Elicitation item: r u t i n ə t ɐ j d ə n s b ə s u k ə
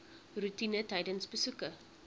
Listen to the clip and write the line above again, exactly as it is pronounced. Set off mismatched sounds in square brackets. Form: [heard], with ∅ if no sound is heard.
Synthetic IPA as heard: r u t i n ə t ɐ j d ə n s b ə s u k ə